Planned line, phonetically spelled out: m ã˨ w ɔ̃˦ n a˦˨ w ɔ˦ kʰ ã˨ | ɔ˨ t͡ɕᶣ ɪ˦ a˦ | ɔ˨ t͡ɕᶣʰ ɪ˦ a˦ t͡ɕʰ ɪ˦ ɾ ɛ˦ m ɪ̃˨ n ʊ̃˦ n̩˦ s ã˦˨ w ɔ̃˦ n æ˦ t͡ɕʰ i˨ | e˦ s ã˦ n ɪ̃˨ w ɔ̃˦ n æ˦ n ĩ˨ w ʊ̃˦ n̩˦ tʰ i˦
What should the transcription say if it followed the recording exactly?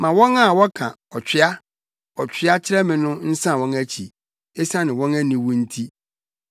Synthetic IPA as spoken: m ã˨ w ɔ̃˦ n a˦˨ w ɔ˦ kʰ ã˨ | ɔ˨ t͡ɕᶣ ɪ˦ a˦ | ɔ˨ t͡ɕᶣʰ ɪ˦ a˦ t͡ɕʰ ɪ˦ ɾ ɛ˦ m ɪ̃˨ n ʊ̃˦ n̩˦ s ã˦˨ w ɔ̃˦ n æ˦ t͡ɕʰ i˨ | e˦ s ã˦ n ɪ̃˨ w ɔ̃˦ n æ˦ n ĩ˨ w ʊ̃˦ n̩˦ tʰ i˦